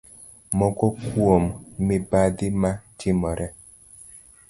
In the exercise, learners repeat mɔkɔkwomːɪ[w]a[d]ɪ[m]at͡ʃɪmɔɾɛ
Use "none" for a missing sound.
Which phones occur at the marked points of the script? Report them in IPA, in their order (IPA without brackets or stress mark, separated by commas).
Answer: b, d, m